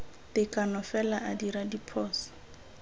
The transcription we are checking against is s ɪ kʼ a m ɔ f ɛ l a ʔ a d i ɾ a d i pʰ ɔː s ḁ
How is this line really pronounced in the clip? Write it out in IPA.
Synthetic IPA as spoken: t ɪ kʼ a n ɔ f ɛ l a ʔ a d i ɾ a d i pʰ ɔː s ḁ